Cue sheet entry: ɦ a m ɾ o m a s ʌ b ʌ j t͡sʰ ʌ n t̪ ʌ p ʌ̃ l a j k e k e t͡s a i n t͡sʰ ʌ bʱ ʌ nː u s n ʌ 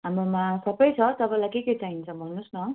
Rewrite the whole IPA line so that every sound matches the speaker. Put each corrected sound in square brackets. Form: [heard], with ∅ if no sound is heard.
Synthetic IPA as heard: ɦ a m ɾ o m a s ʌ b ʌ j t͡sʰ ʌ [∅] t̪ ʌ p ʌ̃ l a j k e k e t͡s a i n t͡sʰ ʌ bʱ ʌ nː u s n ʌ